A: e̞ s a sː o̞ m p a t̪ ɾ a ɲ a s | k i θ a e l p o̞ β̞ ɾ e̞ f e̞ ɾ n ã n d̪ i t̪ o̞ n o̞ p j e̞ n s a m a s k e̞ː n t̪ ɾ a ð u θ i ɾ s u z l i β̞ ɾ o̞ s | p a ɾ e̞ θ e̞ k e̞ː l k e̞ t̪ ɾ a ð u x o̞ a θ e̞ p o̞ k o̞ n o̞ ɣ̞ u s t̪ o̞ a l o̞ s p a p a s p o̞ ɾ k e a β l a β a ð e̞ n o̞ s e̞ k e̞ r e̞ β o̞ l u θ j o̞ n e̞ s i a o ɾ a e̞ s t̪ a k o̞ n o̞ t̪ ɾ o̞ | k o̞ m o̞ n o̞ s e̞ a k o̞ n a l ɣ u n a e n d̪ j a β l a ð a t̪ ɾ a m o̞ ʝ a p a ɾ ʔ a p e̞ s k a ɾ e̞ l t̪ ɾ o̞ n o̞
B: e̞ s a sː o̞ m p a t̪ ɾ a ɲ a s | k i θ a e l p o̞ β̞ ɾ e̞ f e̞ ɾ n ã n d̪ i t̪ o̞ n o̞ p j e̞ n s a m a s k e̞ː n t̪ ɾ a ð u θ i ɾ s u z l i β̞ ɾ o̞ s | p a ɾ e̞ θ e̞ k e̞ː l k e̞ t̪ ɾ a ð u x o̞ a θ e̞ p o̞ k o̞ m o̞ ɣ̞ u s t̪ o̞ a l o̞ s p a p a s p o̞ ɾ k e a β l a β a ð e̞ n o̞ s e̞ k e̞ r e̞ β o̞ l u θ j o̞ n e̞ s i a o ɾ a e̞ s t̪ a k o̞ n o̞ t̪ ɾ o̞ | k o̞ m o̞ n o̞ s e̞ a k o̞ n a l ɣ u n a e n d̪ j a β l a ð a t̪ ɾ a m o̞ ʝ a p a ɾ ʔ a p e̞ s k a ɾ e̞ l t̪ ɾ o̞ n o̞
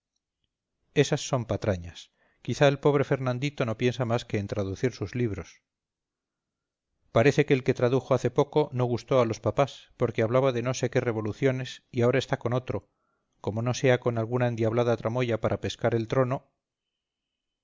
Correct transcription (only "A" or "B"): A